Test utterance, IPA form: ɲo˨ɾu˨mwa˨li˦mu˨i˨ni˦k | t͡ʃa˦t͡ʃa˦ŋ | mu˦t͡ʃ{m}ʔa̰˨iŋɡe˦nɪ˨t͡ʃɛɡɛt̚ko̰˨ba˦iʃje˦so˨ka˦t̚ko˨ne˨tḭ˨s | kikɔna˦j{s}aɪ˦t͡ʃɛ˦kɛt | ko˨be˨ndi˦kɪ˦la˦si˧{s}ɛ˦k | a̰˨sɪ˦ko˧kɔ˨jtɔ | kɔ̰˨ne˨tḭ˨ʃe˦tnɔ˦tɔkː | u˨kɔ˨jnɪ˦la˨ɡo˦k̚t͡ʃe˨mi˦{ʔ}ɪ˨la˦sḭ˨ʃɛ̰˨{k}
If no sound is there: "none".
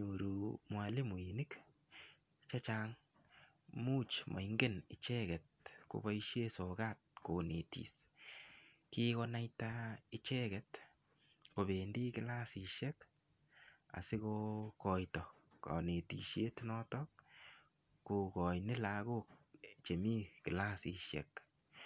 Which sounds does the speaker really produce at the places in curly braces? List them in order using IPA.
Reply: m, t, ʃ, k, k

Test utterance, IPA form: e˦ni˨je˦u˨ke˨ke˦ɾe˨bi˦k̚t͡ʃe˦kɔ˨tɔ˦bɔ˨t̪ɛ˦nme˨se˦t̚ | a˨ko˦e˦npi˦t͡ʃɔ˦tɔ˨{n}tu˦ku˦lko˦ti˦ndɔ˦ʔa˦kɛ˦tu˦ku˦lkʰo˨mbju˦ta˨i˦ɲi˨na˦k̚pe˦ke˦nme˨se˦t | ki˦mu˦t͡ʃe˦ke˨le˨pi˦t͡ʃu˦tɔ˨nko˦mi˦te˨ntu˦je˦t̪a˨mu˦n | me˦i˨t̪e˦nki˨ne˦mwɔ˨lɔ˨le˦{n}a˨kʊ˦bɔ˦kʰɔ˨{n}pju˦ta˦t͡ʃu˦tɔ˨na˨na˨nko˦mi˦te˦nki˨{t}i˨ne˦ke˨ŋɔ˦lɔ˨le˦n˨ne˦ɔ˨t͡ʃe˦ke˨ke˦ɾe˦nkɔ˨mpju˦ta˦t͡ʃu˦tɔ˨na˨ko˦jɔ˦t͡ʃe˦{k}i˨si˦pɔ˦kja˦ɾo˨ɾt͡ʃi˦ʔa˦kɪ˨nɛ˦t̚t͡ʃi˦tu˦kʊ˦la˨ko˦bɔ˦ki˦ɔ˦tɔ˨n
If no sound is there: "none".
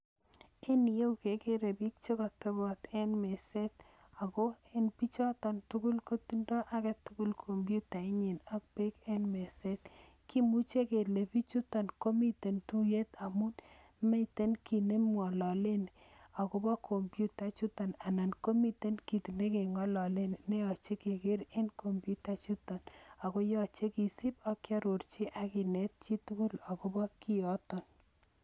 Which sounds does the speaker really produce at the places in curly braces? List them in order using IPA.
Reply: n, n, m, t, k

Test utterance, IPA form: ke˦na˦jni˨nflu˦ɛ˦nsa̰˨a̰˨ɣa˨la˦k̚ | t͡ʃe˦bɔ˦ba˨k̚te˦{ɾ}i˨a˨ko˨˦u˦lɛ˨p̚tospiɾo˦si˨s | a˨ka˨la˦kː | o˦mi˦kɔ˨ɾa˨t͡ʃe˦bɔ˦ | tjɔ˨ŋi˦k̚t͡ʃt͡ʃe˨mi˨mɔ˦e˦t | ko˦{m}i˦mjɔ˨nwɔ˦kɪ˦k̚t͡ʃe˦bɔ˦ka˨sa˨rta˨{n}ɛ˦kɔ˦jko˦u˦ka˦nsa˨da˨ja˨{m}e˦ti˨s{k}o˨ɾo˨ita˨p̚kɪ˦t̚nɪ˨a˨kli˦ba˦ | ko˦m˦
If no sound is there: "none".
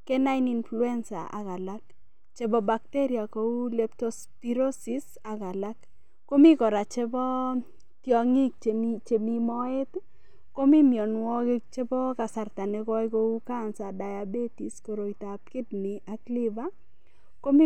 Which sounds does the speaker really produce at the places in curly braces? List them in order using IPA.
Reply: ɾ, m, n, b, k

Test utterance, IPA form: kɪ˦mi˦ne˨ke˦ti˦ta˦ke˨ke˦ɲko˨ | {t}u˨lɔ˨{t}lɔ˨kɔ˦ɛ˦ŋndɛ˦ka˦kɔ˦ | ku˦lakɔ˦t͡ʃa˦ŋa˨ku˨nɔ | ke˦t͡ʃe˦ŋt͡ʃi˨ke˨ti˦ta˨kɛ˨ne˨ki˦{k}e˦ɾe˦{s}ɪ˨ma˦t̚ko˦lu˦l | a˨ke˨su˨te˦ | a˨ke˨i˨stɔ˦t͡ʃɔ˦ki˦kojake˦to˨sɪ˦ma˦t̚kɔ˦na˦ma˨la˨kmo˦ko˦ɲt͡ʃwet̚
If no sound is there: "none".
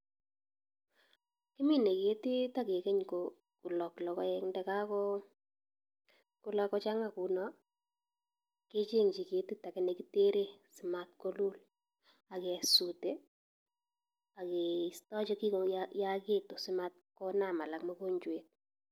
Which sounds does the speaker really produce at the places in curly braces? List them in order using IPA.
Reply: k, k, t, s

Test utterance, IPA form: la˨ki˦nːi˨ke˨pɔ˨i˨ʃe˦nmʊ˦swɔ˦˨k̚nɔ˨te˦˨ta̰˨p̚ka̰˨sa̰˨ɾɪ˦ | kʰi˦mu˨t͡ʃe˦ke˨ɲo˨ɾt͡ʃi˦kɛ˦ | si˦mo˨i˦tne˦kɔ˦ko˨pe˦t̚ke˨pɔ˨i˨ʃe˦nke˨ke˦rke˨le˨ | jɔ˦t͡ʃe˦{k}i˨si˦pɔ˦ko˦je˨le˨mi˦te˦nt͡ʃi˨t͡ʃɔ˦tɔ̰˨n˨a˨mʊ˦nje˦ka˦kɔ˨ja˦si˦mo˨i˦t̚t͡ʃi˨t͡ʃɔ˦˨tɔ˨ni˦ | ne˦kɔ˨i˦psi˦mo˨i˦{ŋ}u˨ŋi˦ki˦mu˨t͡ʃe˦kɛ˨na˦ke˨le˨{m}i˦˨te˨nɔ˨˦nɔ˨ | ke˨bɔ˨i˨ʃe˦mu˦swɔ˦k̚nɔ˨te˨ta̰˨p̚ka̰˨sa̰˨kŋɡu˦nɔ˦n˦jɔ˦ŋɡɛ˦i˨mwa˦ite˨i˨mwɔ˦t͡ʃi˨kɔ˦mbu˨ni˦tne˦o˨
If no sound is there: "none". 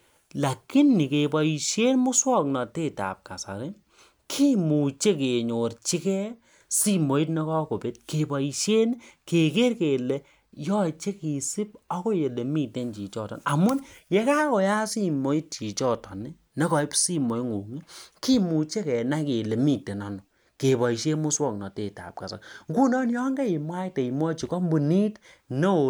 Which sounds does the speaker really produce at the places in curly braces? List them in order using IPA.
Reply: k, ŋ, m

